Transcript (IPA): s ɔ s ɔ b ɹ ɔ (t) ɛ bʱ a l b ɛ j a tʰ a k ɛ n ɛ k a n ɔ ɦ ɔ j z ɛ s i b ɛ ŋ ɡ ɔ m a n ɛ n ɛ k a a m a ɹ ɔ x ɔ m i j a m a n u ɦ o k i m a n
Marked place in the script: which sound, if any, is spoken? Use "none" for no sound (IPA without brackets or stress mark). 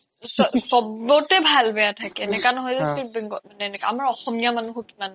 t